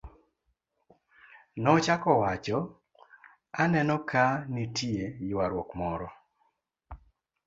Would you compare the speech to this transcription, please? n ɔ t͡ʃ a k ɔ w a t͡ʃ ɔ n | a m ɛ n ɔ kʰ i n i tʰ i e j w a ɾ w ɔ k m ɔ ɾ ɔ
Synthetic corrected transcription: n ɔ t͡ʃ a k ɔ w a t͡ʃ ɔ | a n ɛ n ɔ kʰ a n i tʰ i e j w a ɾ w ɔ k m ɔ ɾ ɔ